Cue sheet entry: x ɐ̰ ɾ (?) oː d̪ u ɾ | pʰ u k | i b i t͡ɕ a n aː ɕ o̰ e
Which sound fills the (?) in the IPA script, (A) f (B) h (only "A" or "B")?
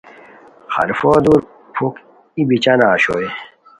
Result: A